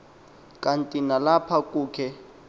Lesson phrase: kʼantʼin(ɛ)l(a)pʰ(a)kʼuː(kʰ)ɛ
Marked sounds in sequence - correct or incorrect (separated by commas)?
incorrect, correct, correct, correct